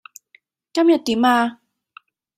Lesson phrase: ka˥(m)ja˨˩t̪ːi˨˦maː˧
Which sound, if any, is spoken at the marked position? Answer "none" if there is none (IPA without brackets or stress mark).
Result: m